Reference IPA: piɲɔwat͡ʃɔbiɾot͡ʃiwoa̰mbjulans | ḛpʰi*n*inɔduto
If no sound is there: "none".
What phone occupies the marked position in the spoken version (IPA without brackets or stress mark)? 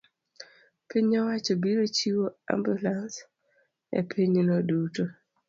ɲ